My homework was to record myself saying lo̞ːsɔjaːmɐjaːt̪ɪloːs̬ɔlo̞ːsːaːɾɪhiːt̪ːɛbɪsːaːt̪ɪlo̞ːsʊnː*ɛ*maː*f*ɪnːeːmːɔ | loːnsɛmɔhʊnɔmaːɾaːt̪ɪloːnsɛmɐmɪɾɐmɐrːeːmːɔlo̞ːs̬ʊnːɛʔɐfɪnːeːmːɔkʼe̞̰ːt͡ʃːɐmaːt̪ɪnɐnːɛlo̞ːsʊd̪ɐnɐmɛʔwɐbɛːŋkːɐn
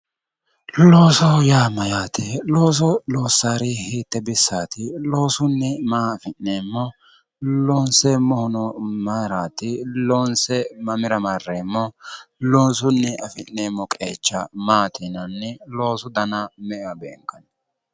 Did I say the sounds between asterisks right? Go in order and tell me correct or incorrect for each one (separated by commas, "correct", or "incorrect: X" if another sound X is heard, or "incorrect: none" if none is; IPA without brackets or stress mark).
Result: correct, correct